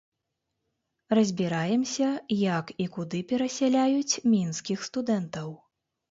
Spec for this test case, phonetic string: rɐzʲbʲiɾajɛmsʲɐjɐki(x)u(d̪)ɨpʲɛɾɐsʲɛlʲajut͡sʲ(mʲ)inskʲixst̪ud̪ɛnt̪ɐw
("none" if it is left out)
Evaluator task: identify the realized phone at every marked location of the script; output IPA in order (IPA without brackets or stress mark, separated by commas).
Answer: k, d̪, mʲ